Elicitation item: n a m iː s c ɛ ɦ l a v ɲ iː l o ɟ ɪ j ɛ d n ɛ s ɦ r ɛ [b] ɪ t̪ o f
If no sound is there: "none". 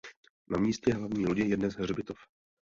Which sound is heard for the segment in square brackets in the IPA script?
b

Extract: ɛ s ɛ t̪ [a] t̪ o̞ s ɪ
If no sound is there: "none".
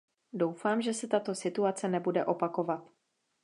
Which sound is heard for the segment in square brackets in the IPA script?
a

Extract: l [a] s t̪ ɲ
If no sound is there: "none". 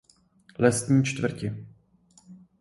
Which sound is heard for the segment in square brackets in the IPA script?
ɛ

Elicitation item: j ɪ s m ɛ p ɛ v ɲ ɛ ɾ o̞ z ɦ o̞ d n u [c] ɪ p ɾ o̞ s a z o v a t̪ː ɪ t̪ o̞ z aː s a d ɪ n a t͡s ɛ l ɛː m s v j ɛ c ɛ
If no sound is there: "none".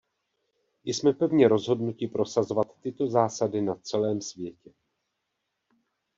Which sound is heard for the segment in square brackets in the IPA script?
c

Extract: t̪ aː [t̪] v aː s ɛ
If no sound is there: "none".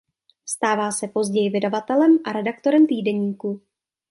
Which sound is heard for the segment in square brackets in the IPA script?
none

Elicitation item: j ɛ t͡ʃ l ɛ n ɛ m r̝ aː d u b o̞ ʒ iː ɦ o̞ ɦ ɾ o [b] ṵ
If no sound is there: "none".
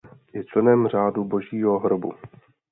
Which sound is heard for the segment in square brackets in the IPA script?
b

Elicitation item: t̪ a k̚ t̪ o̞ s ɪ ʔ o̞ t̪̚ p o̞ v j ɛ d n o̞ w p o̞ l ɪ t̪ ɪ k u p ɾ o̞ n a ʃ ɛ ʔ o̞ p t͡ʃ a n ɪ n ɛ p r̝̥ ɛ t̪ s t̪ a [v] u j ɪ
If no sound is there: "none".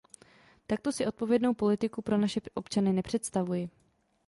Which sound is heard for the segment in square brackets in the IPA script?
v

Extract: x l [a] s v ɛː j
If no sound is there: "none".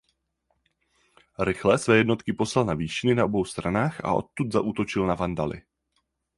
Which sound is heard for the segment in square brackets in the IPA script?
ɛ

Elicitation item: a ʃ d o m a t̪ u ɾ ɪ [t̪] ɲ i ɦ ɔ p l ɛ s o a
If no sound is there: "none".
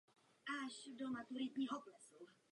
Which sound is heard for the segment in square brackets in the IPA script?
t̪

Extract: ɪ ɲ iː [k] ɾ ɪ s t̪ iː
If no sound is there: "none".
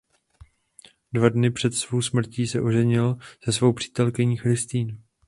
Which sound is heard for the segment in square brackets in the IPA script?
x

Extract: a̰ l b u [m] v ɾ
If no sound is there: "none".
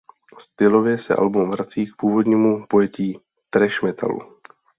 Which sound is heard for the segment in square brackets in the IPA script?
m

